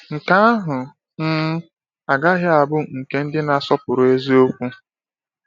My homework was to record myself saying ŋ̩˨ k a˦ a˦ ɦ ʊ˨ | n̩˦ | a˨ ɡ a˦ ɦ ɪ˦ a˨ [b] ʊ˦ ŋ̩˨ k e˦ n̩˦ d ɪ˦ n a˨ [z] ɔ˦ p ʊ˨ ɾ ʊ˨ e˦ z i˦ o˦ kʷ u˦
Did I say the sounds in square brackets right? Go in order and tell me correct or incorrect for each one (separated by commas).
correct, incorrect